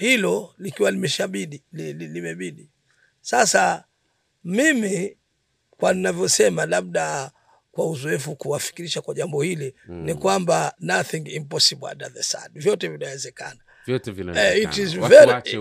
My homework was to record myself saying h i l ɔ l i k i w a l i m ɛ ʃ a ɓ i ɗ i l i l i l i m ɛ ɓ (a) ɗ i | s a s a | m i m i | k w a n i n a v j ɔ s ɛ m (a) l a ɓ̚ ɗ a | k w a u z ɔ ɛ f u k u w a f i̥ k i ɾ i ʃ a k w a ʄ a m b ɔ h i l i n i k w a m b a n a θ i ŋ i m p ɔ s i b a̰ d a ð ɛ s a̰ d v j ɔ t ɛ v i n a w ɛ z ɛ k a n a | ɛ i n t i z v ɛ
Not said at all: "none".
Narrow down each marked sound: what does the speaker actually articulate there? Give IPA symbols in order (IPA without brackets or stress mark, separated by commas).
i, a